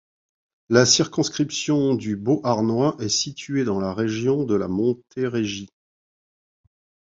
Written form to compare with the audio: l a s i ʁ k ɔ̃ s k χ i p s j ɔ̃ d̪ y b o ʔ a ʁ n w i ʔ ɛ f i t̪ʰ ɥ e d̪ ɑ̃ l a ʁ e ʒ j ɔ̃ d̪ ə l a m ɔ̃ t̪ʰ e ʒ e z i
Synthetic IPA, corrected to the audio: l a s i ʁ k ɔ̃ s k χ i p s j ɔ̃ d̪ y b o ʔ a ʁ n w a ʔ ɛ s i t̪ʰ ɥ e d̪ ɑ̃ l a ʁ e ʒ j ɔ̃ d̪ ə l a m ɔ̃ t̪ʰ e ʁ e ʒ i